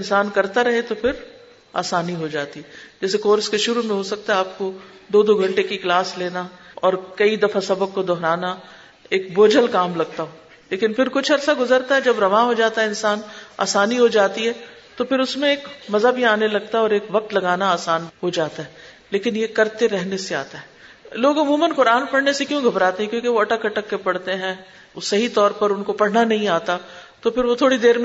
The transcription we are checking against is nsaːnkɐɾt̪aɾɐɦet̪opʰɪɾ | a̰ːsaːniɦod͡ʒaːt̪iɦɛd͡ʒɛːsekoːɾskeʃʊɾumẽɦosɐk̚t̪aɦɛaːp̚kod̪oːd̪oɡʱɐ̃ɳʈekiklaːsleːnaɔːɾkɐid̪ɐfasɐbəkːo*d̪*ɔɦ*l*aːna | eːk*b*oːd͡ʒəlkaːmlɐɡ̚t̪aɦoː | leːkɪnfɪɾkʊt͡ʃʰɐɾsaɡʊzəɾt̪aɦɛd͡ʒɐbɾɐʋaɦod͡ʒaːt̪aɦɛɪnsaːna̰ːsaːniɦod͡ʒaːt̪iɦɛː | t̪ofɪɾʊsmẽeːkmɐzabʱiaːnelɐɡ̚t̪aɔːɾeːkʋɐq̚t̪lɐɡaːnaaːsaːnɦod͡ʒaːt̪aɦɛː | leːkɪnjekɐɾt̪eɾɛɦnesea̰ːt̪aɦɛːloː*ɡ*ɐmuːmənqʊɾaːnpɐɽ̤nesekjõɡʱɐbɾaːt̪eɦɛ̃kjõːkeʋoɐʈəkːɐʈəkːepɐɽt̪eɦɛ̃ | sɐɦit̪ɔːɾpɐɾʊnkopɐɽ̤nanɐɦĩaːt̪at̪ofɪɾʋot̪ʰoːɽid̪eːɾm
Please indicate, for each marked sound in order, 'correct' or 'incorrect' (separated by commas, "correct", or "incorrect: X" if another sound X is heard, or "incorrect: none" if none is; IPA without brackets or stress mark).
correct, incorrect: ɾ, correct, correct